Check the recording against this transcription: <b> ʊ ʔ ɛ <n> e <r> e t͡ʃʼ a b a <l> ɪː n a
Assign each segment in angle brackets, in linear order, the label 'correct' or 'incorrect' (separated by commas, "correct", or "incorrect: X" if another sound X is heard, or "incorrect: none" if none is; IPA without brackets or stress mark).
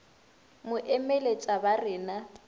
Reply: incorrect: m, incorrect: m, incorrect: l, incorrect: r